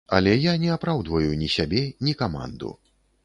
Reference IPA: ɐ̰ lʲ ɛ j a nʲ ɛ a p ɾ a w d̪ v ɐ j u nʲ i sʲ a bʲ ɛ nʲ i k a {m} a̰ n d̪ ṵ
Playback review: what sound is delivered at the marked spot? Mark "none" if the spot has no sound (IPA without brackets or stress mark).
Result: m